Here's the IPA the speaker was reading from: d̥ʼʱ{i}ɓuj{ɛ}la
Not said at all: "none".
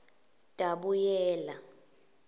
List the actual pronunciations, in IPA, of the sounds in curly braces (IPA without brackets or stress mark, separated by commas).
a, ɛː